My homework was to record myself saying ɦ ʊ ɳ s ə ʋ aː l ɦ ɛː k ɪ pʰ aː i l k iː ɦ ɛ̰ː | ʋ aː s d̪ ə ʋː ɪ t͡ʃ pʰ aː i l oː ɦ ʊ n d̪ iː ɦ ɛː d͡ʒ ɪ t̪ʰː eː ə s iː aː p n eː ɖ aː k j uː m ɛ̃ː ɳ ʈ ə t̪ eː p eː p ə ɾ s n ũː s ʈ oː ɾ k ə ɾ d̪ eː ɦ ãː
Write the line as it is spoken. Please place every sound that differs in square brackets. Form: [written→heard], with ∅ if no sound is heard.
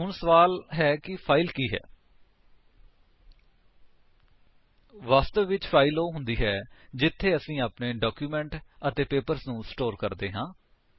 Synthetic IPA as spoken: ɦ ʊ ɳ s ə ʋ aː l ɦ ɛː k ɪ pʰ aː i l k iː ɦ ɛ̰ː | ʋ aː s [d̪→t̪] ə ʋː ɪ t͡ʃ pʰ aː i l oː ɦ ʊ n d̪ iː ɦ ɛː d͡ʒ ɪ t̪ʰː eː ə s [iː→ĩː] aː p n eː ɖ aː k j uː m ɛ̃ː ɳ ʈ ə t̪ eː p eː p ə ɾ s n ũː s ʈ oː ɾ k ə ɾ d̪ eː ɦ ãː